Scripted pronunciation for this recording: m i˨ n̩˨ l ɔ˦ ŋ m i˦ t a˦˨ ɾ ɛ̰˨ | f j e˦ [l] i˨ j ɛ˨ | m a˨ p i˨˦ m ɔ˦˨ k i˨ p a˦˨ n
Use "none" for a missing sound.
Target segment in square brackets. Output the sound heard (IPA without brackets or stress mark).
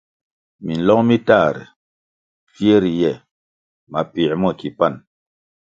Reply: ɾ